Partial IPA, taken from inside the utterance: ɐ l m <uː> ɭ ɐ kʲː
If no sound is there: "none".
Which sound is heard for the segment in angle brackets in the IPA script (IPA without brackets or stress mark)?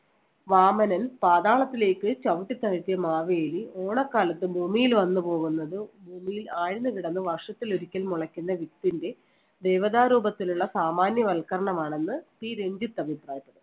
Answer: u